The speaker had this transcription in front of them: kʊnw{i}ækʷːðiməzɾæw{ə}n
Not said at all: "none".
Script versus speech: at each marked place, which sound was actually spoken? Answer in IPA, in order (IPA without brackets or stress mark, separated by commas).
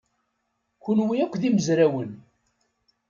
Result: i, ə